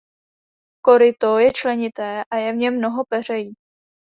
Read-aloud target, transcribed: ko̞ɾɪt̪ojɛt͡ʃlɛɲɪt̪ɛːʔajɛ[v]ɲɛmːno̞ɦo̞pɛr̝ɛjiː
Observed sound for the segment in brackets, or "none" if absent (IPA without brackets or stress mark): v